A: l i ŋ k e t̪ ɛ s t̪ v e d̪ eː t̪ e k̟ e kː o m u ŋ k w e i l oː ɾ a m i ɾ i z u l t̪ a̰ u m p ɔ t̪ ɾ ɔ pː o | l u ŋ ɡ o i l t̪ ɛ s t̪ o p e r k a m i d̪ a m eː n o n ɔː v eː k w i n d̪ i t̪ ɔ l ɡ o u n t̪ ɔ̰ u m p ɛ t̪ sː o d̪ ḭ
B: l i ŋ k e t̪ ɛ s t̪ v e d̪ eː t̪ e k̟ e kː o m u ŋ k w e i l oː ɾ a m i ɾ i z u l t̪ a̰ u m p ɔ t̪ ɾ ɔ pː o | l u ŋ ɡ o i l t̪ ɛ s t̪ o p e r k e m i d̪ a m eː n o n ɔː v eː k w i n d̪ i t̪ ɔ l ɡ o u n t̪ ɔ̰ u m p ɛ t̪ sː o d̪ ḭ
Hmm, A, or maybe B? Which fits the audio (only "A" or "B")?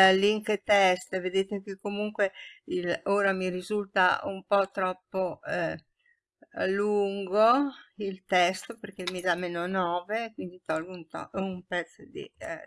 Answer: B